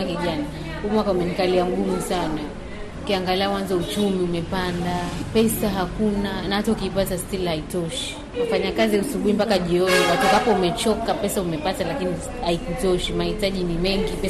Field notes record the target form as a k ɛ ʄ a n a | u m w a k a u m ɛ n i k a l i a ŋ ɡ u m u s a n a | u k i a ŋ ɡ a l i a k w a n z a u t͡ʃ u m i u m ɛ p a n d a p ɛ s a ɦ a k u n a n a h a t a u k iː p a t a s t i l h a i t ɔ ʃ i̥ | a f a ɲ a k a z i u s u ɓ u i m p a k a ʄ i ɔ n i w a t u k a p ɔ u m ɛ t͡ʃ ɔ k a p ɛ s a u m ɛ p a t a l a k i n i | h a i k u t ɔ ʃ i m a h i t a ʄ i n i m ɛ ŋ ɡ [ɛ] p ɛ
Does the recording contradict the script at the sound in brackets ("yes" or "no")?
yes